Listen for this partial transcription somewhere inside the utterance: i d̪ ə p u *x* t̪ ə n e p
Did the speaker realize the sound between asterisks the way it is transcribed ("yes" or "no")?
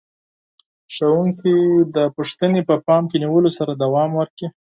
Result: no